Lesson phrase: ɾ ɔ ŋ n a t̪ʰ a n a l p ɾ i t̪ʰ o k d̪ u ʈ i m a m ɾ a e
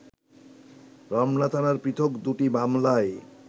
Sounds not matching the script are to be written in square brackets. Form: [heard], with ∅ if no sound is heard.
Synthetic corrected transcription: ɾ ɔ [m] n a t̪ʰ a n a [ɾ] p ɾ i t̪ʰ o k d̪ u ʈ i [b] a m [l] a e